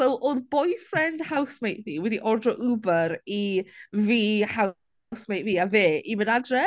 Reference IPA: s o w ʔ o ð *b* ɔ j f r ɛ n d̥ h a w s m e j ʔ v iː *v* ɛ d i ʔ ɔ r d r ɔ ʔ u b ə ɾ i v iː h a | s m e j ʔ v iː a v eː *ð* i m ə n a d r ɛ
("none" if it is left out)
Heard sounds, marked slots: b, w, none

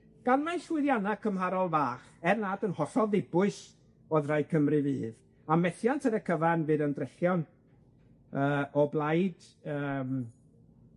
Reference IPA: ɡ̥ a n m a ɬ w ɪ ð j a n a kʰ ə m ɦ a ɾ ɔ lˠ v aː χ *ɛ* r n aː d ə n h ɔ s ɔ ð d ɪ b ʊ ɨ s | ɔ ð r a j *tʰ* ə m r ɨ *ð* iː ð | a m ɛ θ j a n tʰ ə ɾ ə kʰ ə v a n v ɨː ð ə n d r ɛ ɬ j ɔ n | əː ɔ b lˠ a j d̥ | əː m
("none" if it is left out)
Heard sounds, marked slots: ɛ, kʰ, v

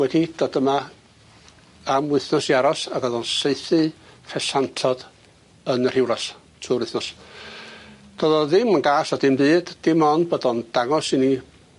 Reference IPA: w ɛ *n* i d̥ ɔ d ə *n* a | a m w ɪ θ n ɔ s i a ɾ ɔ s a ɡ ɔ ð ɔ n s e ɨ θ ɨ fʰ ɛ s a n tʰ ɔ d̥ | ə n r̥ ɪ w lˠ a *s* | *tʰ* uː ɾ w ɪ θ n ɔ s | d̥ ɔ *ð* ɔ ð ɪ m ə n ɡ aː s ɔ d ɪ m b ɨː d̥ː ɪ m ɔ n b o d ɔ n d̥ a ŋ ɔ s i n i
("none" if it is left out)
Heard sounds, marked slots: d, m, s, tʰ, ð

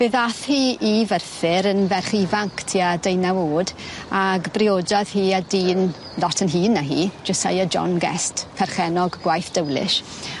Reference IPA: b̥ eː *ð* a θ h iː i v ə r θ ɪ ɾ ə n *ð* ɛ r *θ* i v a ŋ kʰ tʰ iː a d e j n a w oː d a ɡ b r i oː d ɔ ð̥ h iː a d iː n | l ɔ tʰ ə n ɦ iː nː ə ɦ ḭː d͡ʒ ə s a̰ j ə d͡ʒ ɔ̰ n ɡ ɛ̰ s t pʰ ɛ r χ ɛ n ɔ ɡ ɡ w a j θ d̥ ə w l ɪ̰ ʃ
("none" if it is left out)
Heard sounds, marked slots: ð, v, χ

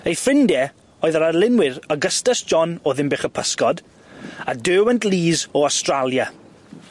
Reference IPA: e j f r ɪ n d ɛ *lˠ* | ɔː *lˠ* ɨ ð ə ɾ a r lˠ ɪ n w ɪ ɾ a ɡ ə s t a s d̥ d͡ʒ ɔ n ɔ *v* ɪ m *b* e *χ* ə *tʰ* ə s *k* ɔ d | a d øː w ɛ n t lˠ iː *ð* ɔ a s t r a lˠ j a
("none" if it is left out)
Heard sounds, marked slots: none, none, ð, b, χ, pʰ, k, z

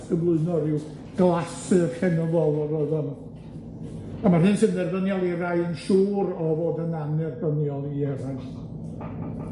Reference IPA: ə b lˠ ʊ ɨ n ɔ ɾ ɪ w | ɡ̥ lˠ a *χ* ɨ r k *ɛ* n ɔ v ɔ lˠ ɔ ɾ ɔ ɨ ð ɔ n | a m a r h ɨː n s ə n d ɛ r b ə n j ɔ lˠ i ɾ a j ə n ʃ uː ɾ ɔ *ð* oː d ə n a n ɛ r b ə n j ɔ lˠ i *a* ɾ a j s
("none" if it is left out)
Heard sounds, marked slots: s, ɛ, v, ɛ

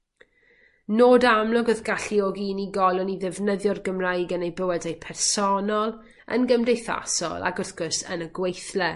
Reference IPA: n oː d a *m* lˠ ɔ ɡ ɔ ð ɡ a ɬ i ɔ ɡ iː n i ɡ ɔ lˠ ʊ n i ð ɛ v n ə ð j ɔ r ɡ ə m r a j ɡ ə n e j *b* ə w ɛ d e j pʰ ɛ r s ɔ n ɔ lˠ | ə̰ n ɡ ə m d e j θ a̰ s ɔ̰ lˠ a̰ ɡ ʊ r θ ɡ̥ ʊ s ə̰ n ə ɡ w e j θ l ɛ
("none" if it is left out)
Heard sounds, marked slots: m, b

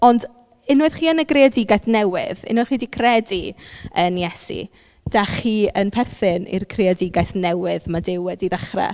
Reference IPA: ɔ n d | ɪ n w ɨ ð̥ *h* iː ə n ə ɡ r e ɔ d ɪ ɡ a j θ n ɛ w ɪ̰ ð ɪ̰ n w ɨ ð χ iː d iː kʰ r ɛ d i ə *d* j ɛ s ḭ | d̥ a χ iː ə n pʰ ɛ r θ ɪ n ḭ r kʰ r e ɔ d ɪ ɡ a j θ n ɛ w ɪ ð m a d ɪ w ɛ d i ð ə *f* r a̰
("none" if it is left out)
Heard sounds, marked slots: χ, n, χ

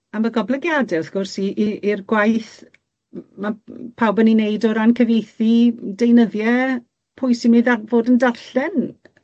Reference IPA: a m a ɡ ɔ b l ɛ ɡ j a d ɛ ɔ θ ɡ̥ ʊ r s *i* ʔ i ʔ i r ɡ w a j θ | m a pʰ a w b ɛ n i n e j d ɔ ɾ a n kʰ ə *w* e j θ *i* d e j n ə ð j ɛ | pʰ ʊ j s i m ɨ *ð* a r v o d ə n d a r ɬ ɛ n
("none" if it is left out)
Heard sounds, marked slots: i, v, i, ð

